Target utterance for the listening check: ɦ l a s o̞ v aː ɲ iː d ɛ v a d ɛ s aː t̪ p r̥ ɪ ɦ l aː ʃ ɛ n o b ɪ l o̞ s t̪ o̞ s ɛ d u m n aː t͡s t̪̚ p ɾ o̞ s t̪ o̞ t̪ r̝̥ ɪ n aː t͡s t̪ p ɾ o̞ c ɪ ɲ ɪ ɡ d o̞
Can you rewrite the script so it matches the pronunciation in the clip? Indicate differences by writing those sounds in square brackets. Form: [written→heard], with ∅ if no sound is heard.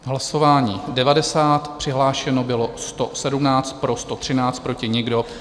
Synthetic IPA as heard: ɦ l a s o̞ v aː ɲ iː d ɛ v a d ɛ s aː t̪ p r̥ ɪ ɦ l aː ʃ ɛ n o b ɪ l o̞ s t̪ o̞ s ɛ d u m n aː t͡s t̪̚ p ɾ o̞ s t̪ o̞ t̪ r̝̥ ɪ n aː t͡s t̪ p ɾ o̞ c ɪ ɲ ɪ ɡ d o̞